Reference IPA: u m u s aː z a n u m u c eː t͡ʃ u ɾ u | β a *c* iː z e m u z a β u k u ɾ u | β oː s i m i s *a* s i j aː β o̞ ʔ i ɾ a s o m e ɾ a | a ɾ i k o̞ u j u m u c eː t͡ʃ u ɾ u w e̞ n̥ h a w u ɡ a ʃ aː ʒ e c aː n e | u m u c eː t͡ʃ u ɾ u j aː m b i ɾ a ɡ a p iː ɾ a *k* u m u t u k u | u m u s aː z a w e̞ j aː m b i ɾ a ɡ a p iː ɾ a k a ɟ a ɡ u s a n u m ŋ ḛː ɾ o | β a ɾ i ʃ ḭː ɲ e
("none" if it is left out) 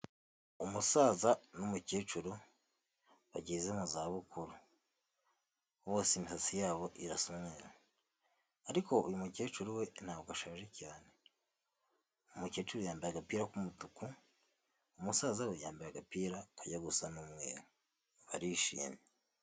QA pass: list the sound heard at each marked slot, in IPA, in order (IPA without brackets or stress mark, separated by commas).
ɟ, a, k